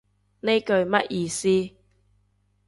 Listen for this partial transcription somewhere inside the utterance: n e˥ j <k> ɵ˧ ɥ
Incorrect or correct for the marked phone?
correct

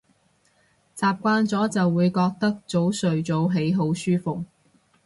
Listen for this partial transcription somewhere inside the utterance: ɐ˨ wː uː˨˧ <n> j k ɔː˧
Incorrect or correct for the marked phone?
incorrect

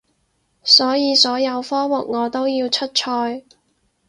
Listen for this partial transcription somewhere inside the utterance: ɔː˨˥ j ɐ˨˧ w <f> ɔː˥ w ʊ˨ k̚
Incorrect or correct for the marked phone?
correct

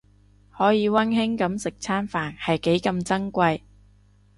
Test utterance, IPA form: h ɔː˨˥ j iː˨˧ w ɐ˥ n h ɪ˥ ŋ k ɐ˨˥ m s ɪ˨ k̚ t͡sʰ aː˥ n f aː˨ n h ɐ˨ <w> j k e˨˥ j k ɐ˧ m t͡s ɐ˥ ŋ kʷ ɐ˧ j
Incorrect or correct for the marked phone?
incorrect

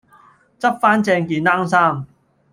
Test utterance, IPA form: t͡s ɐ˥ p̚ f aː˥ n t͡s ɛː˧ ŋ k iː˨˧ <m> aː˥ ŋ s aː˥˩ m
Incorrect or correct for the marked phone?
incorrect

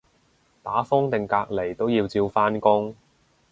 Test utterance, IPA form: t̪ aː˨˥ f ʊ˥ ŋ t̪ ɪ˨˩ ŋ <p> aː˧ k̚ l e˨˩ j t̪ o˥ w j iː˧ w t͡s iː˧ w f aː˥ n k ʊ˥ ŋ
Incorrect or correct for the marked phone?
incorrect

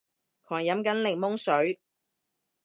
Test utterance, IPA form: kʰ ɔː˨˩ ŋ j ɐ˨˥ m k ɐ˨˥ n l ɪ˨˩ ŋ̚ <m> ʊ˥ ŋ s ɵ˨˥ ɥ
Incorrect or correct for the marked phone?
correct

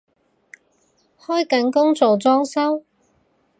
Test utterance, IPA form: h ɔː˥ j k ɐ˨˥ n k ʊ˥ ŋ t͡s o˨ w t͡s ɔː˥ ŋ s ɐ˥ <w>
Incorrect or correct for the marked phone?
correct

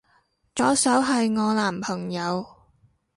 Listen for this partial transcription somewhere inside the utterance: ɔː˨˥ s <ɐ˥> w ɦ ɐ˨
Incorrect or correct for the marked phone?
incorrect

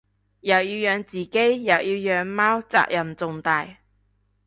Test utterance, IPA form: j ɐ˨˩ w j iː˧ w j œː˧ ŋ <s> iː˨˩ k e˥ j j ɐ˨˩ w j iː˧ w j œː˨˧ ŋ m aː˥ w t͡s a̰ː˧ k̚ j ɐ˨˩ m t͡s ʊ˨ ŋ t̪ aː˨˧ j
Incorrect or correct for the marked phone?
incorrect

